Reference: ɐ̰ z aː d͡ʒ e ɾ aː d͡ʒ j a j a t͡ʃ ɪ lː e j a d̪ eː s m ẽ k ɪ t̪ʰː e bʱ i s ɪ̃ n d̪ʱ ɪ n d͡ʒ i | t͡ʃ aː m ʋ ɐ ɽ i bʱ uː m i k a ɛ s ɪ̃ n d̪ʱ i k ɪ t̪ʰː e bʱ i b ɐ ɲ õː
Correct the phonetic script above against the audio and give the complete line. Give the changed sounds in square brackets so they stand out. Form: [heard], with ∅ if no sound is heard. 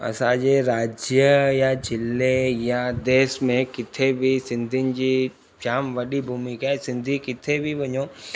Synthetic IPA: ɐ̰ [s] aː d͡ʒ e ɾ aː d͡ʒ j [ə] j a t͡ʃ ɪ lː e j a d̪ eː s m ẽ k ɪ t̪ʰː e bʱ i s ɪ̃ n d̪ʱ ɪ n d͡ʒ i | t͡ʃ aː m ʋ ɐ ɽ i bʱ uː m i k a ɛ s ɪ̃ n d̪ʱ i k ɪ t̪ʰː e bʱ i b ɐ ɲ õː

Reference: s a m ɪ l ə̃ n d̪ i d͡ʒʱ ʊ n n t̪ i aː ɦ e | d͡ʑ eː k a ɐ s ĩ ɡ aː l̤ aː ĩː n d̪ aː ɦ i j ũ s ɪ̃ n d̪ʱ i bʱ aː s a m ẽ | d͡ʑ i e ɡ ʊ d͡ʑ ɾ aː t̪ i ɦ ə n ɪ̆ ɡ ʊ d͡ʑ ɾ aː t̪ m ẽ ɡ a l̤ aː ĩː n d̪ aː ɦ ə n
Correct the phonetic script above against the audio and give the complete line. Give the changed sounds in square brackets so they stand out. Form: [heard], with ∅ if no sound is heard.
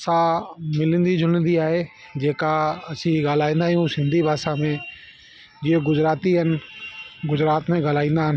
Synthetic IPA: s a m ɪ l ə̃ n d̪ i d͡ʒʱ ʊ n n [d̪] i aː ɦ e | d͡ʑ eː k a ɐ s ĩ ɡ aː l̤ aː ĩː n d̪ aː ɦ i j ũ s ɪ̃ n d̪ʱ i bʱ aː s a m ẽ | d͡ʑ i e ɡ ʊ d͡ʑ ɾ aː t̪ i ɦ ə n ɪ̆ ɡ ʊ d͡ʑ ɾ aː t̪ m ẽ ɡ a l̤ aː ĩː n d̪ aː ɦ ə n

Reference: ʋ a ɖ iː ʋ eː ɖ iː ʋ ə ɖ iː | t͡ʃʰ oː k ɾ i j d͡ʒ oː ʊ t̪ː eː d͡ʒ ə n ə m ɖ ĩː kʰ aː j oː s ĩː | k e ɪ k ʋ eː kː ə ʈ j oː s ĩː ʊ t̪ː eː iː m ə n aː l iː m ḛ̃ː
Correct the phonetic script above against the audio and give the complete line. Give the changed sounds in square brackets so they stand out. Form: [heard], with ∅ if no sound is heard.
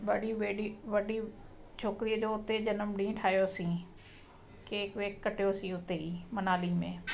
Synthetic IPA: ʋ [ə] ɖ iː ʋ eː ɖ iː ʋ ə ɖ iː | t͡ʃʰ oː k ɾ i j d͡ʒ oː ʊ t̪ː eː d͡ʒ ə n ə m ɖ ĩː [ʈʰ] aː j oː s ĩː | k e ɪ k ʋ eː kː ə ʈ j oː s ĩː ʊ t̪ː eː iː m ə n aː l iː m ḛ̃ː

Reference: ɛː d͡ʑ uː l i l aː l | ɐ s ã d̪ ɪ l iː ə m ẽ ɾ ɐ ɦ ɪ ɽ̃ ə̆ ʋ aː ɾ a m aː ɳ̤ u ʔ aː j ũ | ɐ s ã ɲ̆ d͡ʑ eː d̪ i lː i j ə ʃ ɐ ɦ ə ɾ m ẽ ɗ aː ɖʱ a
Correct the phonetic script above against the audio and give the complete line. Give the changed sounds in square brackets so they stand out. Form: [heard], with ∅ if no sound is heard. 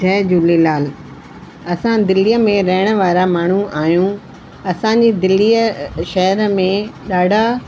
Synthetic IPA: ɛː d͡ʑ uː l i l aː l | ɐ s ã d̪ ɪ l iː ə m ẽ ɾ ɐ ɦ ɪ ɽ̃ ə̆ ʋ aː ɾ a m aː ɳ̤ u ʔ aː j ũ | ɐ s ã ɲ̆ d͡ʑ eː d̪ [ɪ] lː i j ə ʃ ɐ ɦ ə ɾ m ẽ ɗ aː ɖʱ a

